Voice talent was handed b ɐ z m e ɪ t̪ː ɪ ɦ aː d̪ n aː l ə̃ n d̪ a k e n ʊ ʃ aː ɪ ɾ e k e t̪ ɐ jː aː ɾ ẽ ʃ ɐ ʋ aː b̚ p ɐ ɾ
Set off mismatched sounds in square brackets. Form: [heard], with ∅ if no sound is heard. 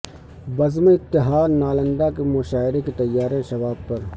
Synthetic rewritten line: b ɐ z m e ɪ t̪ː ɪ ɦ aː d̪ n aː l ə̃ n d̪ a k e [m] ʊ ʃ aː ɪ ɾ e k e t̪ ɐ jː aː ɾ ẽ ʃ ɐ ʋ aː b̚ p ɐ ɾ